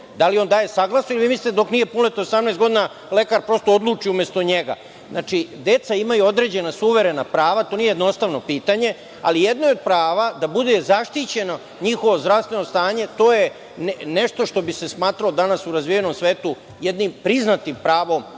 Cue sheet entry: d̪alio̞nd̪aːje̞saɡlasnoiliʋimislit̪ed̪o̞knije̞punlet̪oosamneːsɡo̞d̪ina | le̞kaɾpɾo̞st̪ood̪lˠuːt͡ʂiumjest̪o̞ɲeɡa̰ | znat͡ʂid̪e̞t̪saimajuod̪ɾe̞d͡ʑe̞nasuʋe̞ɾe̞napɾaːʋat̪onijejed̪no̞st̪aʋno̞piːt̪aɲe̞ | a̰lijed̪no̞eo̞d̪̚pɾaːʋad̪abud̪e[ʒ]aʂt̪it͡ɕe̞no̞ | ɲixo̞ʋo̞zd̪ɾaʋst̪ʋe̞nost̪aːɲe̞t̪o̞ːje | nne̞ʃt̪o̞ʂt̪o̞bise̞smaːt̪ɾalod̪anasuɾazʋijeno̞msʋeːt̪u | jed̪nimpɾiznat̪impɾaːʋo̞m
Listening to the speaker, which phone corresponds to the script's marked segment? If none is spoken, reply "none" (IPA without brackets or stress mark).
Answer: z